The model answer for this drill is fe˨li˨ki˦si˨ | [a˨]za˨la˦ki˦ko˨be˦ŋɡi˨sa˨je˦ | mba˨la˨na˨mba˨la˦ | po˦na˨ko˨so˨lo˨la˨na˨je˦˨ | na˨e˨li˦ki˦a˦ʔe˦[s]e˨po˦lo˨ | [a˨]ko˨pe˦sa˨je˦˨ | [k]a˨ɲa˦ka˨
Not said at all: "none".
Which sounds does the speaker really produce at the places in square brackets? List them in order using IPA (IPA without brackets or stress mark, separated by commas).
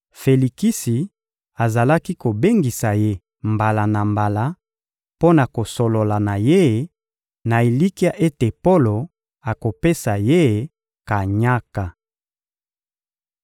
a˨, t, a˨, k